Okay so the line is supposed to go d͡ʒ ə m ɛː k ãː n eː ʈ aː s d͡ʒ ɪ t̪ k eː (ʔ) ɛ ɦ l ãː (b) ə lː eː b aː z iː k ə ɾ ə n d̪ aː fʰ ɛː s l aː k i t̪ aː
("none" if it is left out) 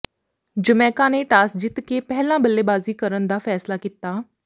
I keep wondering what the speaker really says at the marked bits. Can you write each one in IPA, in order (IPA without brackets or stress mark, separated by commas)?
p, b